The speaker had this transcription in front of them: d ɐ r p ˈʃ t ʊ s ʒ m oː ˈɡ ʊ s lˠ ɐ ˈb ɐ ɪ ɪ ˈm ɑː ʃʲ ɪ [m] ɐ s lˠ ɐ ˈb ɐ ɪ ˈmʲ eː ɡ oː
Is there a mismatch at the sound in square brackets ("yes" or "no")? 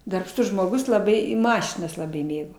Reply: yes